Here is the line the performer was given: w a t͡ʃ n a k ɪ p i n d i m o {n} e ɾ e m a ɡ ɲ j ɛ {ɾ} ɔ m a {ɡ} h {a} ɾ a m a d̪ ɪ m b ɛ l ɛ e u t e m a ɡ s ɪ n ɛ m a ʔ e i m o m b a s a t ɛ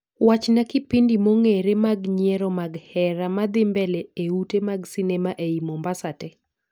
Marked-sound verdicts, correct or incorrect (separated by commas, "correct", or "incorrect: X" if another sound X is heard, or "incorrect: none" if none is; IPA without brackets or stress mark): incorrect: ŋ, correct, correct, incorrect: ɛ